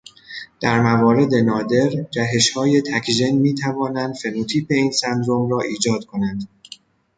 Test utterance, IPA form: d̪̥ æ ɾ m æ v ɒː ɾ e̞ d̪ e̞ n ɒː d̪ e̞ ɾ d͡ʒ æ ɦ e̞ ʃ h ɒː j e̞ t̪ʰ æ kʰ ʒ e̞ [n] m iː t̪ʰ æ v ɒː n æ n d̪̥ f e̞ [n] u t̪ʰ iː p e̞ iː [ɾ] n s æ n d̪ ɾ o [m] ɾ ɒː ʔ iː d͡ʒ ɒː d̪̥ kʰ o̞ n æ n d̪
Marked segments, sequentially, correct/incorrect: correct, correct, incorrect: none, correct

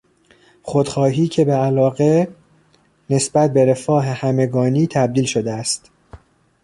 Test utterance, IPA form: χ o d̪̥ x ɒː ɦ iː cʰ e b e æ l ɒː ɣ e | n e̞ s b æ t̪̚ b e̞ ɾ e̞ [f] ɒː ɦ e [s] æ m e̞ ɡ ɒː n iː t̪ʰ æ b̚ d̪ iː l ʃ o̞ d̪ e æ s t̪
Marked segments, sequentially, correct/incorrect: correct, incorrect: h

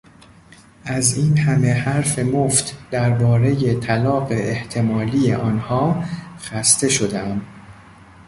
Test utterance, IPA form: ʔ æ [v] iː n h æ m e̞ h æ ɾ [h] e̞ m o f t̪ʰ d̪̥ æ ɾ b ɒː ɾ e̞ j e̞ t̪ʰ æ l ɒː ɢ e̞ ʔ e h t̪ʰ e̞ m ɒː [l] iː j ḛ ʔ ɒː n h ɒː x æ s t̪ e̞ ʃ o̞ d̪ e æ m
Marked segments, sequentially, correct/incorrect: incorrect: z, incorrect: f, correct

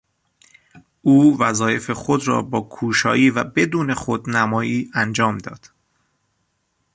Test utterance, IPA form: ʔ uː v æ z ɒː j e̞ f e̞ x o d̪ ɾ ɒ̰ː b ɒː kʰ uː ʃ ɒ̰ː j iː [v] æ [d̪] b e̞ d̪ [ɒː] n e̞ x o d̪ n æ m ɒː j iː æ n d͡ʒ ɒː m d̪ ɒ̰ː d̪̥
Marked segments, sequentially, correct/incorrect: correct, incorrect: none, incorrect: uː

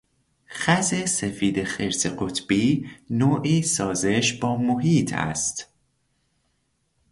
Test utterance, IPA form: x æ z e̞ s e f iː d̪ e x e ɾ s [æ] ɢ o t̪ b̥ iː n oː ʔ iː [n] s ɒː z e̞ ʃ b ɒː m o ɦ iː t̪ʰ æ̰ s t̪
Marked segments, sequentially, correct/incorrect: incorrect: e, incorrect: none

